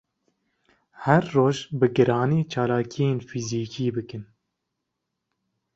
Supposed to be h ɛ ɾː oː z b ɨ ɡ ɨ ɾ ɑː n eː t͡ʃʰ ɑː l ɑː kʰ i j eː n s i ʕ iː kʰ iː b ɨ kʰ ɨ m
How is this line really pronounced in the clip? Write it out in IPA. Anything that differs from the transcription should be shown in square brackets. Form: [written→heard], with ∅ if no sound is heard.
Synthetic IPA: h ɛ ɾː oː [z→ʒ] b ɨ ɡ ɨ ɾ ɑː n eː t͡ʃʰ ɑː l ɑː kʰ i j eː n [s→f] i [ʕ→z] iː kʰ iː b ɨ [kʰ→k] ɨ [m→n]

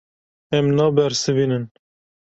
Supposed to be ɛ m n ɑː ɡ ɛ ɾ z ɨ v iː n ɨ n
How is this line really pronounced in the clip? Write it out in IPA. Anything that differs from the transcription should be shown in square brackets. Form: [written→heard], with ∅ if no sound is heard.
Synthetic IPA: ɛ m n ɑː [ɡ→b] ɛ ɾ [z→s] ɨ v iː n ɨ n

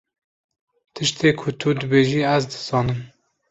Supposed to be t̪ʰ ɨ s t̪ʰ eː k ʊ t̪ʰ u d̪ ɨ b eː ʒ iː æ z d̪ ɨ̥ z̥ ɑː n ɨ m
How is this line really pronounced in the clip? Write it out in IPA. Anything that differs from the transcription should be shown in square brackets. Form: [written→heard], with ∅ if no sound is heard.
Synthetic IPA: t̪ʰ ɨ [s→ʃ] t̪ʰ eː [k→kʰ] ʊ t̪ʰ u d̪ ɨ b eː ʒ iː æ z d̪ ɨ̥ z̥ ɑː n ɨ m

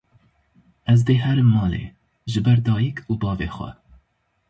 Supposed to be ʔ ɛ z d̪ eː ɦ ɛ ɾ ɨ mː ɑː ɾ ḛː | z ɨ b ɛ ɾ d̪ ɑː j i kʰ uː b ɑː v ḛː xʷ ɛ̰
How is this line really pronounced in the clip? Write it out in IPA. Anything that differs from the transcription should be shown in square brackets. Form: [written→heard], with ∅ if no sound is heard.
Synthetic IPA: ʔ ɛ z d̪ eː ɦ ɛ ɾ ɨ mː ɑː [ɾ→l] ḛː | [z→ʒ] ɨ b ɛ ɾ d̪ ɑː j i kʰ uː b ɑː v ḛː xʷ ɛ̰

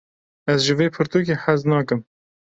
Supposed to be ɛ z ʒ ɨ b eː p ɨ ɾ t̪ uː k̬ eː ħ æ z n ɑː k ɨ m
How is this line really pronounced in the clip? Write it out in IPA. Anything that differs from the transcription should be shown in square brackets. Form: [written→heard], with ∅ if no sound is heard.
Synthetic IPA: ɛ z ʒ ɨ [b→v] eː [p→pʰ] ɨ ɾ t̪ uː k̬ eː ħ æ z n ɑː k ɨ m

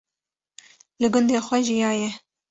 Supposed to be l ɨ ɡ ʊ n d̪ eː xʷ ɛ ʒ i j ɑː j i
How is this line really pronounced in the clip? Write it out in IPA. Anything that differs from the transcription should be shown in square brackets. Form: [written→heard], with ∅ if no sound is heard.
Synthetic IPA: l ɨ ɡ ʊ n d̪ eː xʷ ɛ ʒ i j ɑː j [i→ɛ]

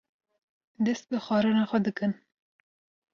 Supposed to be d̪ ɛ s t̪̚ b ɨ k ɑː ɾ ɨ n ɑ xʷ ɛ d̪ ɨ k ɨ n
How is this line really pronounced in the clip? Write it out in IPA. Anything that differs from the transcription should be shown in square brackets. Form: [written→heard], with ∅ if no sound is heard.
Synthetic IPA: d̪ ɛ s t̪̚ b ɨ [k→x] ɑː ɾ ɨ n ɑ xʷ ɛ d̪ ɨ k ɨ n

